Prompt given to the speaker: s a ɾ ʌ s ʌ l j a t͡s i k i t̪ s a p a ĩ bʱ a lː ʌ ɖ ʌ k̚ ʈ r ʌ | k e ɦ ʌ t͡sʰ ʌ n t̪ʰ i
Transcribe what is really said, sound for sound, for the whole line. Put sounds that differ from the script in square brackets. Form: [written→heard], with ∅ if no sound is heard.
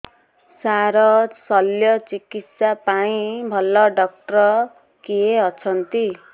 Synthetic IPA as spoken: s a ɾ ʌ s ʌ l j [a→ʌ] t͡s i k i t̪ s a p a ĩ bʱ [a→ʌ] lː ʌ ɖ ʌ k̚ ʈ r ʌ | k e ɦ ʌ t͡sʰ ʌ n [t̪ʰ→t̪] i